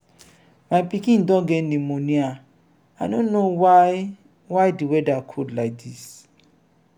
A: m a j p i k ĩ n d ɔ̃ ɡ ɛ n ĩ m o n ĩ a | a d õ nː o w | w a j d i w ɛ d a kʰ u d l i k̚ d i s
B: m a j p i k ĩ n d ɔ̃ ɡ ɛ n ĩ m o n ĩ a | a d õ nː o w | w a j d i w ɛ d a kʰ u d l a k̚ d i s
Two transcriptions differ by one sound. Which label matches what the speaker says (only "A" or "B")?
B